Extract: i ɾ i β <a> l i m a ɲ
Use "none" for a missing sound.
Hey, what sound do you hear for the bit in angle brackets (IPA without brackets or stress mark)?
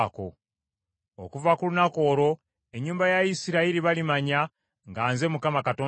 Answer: a